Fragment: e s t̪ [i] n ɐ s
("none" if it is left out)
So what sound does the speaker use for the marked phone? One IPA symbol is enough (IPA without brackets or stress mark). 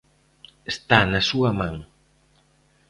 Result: a